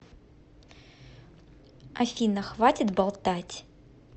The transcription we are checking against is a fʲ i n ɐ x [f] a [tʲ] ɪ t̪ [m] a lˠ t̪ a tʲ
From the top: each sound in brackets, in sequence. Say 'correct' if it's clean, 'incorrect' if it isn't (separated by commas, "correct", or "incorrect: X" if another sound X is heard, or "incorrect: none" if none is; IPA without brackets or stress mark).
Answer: incorrect: v, correct, incorrect: b